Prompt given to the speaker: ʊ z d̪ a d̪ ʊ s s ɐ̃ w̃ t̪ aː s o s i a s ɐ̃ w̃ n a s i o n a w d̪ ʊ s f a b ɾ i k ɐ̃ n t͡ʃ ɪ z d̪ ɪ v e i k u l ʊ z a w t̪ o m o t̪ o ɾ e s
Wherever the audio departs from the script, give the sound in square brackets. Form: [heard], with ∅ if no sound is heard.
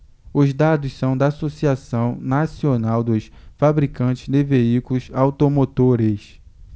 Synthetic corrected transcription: ʊ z d̪ a d̪ ʊ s s ɐ̃ w̃ [d̪] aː s o s i a s ɐ̃ w̃ n a s i o n a w d̪ ʊ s f a b ɾ i k ɐ̃ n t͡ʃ ɪ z d̪ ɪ v e i k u l ʊ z a w t̪ o m o t̪ o ɾ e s